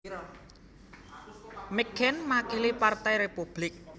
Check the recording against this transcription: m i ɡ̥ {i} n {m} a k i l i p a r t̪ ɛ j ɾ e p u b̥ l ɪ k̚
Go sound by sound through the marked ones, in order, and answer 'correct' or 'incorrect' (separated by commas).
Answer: incorrect, correct